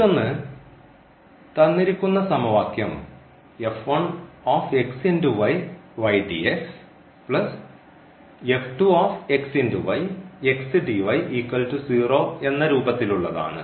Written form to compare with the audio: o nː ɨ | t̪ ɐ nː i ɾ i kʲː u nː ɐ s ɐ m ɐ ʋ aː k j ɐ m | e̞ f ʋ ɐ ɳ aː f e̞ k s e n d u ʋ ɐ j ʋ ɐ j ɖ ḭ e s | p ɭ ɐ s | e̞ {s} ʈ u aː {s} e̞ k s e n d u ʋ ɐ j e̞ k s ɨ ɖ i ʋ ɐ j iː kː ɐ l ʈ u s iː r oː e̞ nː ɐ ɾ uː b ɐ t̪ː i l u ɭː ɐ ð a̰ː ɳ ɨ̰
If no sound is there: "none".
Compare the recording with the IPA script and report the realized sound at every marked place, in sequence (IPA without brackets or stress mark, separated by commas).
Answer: f, f